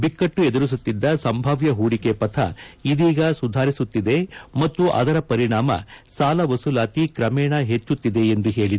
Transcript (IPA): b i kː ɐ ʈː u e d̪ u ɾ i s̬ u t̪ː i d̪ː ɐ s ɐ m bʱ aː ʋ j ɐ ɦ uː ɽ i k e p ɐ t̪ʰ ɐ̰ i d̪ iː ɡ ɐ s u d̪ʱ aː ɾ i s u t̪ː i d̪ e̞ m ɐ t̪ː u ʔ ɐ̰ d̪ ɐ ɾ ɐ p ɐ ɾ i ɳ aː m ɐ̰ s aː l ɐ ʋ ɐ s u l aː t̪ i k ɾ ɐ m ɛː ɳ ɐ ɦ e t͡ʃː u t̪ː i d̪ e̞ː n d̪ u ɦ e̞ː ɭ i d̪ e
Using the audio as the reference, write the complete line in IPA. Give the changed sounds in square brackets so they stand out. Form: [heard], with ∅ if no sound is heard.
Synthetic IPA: b i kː ɐ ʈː u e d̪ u ɾ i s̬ u t̪ː i d̪ː ɐ s ɐ m bʱ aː ʋ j ɐ ɦ uː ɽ i k e p ɐ t̪ʰ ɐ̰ i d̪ iː ɡ ɐ s u d̪ʱ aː ɾ i s u t̪ː i d̪ e̞ m ɐ t̪ː u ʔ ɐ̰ d̪ ɐ ɾ ɐ p ɐ ɾ i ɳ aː m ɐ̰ s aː l ɐ ʋ ɐ s u l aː t̪ i k ɾ ɐ m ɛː ɳ ɐ ɦ e t͡ʃː u t̪ː i d̪ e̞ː n d̪ u ɦ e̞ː ɭ i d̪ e